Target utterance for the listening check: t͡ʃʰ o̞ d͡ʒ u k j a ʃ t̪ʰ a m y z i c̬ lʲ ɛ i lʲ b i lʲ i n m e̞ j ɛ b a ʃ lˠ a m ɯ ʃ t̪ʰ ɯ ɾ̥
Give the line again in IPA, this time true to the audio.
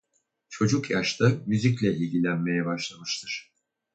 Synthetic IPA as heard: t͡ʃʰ o̞ d͡ʒ u k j a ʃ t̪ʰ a m y z i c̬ lʲ ɛ i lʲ ɟ i lʲ æ n m e̞ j ɛ b a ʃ lˠ a m ɯ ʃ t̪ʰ ɯ ɾ̥